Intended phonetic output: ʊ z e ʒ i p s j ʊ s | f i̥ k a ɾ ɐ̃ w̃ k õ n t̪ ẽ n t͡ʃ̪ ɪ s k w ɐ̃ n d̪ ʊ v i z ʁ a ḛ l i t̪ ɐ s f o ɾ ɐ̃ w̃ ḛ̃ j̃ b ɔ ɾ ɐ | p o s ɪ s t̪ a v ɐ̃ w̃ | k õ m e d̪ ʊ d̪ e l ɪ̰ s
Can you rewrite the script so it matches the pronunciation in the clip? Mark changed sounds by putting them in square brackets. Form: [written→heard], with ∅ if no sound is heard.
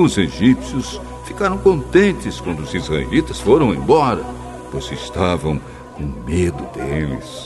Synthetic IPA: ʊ z e ʒ i p s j ʊ s | f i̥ k a ɾ ɐ̃ w̃ k õ n t̪ ẽ n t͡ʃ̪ ɪ s k w ɐ̃ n d̪ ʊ [v→z] i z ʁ a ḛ l i t̪ ɐ s f o ɾ ɐ̃ w̃ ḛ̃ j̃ b ɔ ɾ ɐ | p o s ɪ s t̪ a v ɐ̃ w̃ | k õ m e d̪ ʊ d̪ e l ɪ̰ s